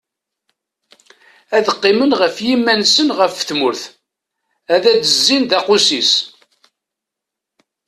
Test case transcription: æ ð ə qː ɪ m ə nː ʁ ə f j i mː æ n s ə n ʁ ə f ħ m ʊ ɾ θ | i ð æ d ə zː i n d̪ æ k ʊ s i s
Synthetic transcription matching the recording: æ ð ə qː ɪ m ə n ʁ ə f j i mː æ n s ə n ʁ ə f θ m ʊ ɾ θ | æ ð æ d ə zː i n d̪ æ q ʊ s i s

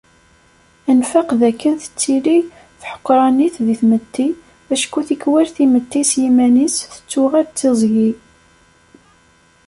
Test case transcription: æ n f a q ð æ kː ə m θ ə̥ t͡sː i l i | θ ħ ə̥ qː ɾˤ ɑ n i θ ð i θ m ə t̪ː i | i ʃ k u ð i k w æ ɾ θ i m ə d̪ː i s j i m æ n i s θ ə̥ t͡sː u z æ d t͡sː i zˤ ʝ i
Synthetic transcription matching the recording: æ n f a q ð æ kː ə n θ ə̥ t͡sː i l i | θ ħ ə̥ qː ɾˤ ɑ n i θ ð i θ m ə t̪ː i | æ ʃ k u θ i k w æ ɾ θ i m ə t̪ː i s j i m æ n i s θ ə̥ t͡sː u ʁ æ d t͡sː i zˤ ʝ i

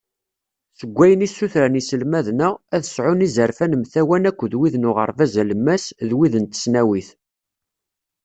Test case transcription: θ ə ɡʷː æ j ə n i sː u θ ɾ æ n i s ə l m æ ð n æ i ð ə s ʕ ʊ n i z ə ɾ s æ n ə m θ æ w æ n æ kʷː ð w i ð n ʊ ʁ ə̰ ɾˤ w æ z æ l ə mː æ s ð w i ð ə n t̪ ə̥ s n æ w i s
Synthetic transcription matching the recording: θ ə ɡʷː æ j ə n i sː u θ ɾ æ n i s ə l m æ ð n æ æ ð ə s ʕ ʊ n i z ə ɾ f æ n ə m θ æ w æ n æ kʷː ð w i ð n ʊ ʁ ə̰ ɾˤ v æ z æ l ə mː æ s ð w i ð ə n t̪ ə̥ s n æ w i θ

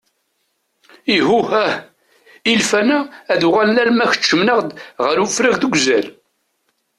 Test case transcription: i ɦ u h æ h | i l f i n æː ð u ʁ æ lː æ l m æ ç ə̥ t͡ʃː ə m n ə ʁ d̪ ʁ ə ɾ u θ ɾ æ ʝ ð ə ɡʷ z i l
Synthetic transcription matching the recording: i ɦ u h æ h | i l f æ n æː ð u ʁ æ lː æ l m æ ç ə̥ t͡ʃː ə m n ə ʁ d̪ ʁ ə ɾ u f ɾ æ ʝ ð ə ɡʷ z æ l

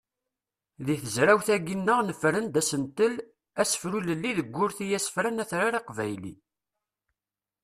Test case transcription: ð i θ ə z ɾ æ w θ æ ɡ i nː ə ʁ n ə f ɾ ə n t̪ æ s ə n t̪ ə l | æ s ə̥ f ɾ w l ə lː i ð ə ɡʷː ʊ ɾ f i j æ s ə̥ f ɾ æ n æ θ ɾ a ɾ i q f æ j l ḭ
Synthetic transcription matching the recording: ð i θ ə z ɾ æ w θ æ ɡ i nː ə ʁ n ə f ɾ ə n d̪ æ s ə n t̪ ə l | æ s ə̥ f ɾ u l ə lː i ð ə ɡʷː ʊ ɾ θ i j æ s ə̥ f ɾ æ n æ θ ɾ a ɾ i q v æ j l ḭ

